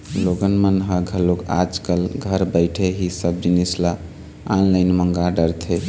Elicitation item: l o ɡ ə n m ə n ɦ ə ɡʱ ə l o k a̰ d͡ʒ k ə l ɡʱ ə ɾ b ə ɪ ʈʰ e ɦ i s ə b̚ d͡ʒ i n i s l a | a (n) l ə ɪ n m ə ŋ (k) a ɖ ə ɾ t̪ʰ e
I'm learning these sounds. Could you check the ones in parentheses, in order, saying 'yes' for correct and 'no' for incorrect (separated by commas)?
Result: yes, no